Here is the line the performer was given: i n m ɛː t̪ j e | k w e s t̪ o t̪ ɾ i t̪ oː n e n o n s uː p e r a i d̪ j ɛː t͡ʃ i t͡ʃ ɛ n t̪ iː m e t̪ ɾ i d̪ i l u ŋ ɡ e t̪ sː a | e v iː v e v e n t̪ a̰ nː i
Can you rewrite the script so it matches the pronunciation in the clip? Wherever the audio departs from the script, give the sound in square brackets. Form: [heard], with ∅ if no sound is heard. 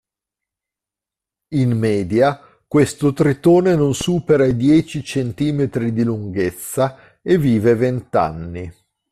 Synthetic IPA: i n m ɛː [d̪] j [a] | k w e s t̪ o t̪ ɾ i t̪ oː n e n o n s uː p e [ɾ] a i d̪ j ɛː t͡ʃ i t͡ʃ [e] n t̪ iː m e t̪ ɾ i d̪ i l u ŋ ɡ e t̪ sː a | e v iː v e v e n t̪ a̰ nː i